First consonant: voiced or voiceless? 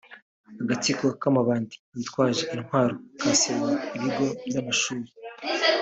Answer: voiced